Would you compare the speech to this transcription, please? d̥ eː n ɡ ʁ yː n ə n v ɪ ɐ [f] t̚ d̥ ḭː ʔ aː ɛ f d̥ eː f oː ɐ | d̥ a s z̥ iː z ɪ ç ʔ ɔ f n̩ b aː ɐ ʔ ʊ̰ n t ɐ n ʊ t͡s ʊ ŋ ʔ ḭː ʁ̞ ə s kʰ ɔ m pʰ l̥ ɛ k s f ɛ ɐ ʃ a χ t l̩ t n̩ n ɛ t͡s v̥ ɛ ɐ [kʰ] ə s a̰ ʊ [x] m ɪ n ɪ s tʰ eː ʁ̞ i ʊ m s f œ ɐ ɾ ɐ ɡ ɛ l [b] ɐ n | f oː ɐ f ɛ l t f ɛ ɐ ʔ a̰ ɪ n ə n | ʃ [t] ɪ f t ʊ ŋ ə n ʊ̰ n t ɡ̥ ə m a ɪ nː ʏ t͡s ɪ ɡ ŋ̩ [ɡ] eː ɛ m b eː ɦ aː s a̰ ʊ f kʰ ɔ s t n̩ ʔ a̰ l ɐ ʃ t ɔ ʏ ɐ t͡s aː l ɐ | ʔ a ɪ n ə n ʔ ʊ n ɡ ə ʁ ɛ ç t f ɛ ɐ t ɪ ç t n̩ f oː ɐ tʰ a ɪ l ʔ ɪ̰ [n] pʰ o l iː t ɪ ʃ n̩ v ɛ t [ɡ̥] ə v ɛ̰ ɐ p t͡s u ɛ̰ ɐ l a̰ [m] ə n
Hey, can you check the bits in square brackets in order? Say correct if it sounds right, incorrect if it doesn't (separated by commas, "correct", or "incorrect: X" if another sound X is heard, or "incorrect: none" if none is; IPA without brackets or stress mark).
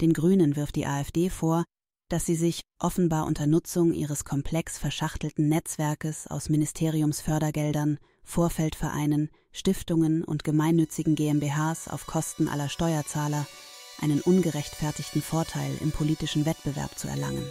correct, incorrect: k, incorrect: s, incorrect: d, correct, correct, incorrect: m, incorrect: b̥, incorrect: ŋ